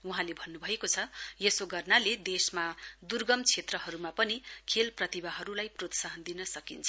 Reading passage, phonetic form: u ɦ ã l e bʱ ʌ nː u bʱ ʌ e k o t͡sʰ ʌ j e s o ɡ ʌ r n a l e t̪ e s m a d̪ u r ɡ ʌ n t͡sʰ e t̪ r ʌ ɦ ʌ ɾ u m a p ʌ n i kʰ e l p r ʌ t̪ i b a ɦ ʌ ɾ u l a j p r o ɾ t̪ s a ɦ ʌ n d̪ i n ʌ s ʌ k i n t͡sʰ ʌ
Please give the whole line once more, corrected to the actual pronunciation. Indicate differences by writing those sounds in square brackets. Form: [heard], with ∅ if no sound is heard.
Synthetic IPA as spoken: u ɦ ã l e bʱ ʌ nː u bʱ ʌ e k o t͡sʰ ʌ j e s o ɡ ʌ r n a l e [d̪] e s m a d̪ u r ɡ ʌ [m] t͡sʰ e t̪ r ʌ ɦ ʌ ɾ u m a p ʌ n i kʰ e l p r ʌ t̪ i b a ɦ ʌ ɾ u l a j p r o [∅] t̪ s a ɦ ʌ n d̪ i n ʌ s ʌ k i n t͡sʰ ʌ